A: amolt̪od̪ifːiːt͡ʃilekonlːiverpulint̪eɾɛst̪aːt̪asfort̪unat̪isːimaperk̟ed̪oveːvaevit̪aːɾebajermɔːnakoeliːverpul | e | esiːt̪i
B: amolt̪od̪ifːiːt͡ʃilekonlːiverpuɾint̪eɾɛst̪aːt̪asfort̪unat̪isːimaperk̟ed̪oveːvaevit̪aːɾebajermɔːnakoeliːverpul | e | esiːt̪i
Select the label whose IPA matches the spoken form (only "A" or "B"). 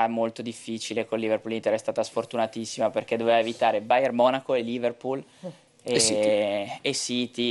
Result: A